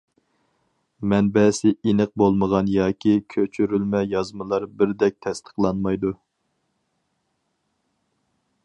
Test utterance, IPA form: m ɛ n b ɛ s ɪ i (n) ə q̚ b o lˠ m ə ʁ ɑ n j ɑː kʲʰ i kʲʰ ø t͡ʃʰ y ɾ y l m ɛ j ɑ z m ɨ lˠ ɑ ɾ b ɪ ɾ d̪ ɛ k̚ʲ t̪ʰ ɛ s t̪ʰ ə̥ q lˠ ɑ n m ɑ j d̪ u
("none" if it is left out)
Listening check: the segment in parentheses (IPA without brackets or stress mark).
n